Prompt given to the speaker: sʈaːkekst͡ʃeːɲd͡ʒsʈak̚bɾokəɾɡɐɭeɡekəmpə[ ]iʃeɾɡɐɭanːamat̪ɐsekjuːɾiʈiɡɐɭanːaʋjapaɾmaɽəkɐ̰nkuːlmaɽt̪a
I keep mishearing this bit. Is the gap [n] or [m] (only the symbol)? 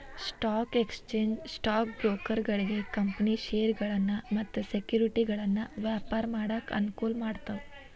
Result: n